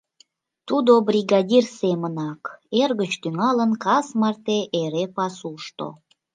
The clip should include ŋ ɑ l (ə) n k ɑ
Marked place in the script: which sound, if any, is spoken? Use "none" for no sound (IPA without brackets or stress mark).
ə